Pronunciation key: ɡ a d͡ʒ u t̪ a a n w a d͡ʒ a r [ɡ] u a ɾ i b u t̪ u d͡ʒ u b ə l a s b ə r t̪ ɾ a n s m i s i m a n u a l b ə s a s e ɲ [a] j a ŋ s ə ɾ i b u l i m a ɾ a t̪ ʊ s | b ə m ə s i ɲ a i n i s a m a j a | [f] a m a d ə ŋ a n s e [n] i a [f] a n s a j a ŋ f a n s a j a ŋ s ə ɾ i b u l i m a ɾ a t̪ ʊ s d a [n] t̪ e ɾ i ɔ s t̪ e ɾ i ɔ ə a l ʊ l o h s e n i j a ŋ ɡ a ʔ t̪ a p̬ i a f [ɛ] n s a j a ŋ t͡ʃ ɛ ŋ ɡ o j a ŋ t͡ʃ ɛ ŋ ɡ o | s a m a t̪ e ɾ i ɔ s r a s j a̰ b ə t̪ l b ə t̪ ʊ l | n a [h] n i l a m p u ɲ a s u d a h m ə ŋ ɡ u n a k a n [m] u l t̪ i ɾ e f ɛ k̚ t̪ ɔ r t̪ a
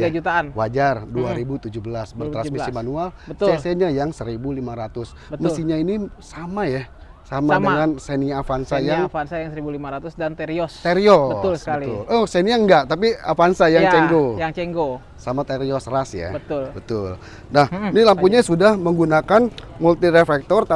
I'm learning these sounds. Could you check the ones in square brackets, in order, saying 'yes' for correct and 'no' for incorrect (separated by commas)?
no, yes, no, yes, yes, yes, no, yes, yes